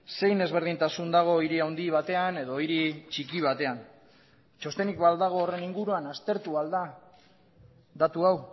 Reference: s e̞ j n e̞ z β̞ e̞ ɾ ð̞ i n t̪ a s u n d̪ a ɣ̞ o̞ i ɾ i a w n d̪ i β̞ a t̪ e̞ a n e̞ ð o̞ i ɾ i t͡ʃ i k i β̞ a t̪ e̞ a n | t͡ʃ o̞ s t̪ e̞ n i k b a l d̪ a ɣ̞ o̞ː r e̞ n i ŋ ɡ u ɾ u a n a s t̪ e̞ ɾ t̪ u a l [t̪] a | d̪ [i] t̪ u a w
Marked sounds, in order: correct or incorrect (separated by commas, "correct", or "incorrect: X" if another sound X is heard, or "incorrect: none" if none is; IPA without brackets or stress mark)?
incorrect: d̪, incorrect: a